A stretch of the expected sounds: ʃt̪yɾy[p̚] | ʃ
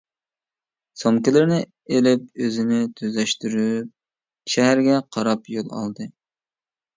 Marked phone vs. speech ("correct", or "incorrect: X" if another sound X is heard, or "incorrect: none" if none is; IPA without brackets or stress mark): correct